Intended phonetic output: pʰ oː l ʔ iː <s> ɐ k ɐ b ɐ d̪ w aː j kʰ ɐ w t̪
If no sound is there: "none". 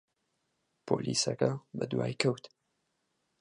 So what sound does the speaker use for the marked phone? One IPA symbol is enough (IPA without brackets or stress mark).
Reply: s